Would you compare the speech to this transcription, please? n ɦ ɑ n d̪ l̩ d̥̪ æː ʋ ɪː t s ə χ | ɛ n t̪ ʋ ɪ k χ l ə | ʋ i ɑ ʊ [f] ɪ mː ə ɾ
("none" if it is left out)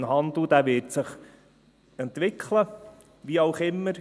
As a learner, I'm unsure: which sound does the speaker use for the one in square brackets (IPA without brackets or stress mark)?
χ